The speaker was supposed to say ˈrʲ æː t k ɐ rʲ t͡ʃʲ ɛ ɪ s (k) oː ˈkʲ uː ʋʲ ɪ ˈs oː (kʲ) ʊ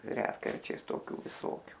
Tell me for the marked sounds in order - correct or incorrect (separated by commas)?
incorrect, correct